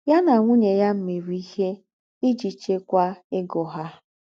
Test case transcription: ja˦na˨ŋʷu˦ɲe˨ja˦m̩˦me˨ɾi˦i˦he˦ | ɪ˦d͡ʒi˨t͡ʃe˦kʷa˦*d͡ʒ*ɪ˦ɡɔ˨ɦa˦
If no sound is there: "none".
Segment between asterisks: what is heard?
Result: none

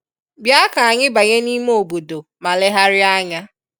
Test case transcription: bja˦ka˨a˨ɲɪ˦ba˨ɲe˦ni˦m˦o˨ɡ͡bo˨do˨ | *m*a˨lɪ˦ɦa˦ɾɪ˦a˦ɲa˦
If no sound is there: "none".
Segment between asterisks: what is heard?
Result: m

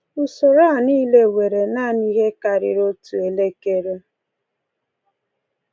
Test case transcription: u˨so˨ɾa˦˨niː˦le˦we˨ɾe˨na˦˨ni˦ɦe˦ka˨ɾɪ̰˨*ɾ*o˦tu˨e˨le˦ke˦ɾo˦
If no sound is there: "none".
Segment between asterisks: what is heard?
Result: ɾ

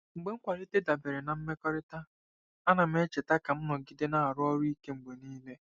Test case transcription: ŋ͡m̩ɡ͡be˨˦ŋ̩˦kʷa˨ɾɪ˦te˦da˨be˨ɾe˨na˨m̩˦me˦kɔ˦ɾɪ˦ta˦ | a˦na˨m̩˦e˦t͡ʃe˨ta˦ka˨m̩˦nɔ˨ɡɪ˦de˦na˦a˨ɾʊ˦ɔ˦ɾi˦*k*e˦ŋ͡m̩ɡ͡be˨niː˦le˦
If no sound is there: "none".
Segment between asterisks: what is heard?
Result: k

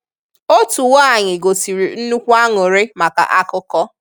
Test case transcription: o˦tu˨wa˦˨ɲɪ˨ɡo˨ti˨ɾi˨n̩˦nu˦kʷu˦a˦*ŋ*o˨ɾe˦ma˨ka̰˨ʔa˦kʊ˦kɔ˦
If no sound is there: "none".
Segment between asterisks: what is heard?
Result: ŋ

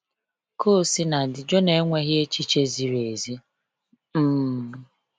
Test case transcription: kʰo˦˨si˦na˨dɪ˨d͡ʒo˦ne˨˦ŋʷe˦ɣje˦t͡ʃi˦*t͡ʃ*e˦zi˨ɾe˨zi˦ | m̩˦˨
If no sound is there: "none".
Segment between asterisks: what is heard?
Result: t͡ʃ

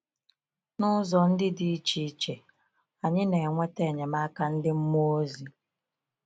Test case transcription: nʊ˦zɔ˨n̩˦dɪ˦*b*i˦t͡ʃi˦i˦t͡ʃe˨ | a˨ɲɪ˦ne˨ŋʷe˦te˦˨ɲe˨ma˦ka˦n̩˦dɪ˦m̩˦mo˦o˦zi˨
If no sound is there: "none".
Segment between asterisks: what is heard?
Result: d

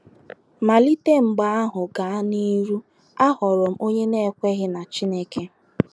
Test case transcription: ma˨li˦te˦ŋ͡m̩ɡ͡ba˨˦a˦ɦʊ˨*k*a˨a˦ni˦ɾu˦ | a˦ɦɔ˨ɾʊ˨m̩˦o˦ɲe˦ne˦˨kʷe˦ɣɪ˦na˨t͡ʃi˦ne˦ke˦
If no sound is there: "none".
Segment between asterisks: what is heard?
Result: ɡ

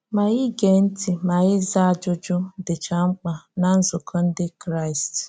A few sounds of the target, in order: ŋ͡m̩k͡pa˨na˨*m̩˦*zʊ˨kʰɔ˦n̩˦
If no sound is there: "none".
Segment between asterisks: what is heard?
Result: n̩˦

